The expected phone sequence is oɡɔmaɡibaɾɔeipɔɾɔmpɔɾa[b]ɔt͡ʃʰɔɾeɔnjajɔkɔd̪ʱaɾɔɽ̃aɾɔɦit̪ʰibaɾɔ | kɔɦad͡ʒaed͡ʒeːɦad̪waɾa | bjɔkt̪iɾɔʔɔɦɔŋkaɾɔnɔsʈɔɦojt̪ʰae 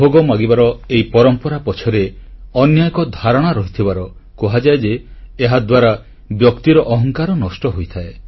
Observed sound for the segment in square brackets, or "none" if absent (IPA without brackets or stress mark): p